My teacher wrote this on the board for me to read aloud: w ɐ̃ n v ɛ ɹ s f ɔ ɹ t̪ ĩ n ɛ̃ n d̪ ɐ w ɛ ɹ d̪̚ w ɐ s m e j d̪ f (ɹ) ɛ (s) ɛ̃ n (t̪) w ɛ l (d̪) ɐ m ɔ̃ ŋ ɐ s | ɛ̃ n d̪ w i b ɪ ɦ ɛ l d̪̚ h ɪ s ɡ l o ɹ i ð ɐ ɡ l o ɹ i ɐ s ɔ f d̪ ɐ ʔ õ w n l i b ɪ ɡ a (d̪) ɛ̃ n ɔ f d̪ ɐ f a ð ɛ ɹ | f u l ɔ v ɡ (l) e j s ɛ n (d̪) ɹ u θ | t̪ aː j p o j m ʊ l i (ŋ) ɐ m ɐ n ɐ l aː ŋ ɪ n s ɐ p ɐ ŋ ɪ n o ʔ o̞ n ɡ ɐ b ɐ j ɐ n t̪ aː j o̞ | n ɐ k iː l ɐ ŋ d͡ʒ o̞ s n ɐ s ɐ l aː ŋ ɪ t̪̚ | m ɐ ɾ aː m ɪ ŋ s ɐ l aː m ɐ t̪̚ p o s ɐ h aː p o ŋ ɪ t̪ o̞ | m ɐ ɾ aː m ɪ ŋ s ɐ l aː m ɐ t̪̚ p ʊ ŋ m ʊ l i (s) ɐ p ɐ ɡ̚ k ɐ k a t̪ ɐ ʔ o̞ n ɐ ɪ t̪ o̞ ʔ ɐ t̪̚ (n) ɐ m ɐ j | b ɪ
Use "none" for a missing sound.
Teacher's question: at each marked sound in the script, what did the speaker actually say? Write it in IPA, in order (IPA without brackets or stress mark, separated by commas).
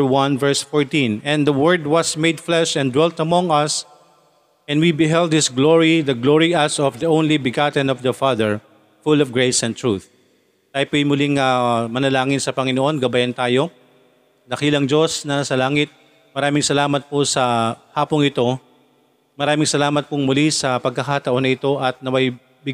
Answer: l, ʃ, d̪, t̪, t̪, ɹ, t̪, ŋ, s, n